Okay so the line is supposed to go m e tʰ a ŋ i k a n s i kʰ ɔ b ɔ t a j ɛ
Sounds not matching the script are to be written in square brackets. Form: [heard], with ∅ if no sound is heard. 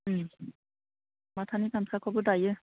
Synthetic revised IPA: m [a] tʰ a [n] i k a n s [a] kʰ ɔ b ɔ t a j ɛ

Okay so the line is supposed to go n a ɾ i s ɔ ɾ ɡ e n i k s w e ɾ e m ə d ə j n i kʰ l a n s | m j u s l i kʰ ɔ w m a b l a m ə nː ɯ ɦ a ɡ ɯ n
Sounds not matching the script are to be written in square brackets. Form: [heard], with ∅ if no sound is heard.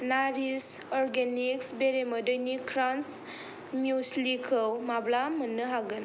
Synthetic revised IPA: n a ɾ i s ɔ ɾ ɡ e n i k s [b] e ɾ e m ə d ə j n i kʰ [ɾ] a n s | m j u s l i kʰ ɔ w m a b l a m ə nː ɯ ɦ a ɡ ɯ n

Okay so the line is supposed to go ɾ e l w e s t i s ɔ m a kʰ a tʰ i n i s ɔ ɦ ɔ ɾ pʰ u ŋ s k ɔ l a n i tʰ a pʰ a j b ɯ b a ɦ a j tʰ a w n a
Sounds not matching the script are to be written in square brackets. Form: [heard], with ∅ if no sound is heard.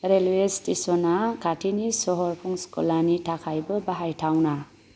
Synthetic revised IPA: ɾ e l w e s t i s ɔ [n] a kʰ a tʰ i n i s ɔ ɦ ɔ ɾ pʰ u ŋ s k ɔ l a n i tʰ a [kʰ] a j b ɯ b a ɦ a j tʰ a w n a

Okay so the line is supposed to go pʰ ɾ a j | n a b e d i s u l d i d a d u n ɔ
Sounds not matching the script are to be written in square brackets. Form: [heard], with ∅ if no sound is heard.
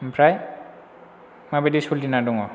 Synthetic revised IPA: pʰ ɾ a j | [m] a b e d i s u l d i [n] a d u [ŋ] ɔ

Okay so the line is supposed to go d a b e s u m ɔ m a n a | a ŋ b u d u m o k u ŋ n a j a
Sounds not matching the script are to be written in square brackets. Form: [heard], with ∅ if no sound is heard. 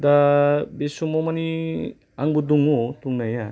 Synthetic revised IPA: d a b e s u m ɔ m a n [i] | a ŋ b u d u [ŋ] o [t] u ŋ n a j a

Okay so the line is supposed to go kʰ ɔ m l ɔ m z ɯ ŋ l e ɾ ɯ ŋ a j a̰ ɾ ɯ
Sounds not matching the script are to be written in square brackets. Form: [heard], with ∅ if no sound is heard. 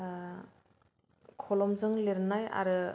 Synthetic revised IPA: kʰ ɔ [∅] l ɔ m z ɯ ŋ l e ɾ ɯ [n] a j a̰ ɾ ɯ

